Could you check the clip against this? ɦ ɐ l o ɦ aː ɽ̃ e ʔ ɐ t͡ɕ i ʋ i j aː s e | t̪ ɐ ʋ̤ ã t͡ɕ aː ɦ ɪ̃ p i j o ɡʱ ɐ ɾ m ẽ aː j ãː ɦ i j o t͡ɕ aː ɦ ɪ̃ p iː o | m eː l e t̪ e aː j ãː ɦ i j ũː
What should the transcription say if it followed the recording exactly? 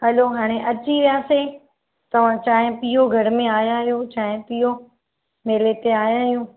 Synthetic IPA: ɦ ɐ l o ɦ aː ɽ̃ e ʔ ɐ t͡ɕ i ʋ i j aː s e | t̪ ɐ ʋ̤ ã t͡ɕ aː ɦ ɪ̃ p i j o ɡʱ ɐ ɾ m ẽ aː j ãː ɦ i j o t͡ɕ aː ɦ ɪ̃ p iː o | m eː l e t̪ e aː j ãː ɦ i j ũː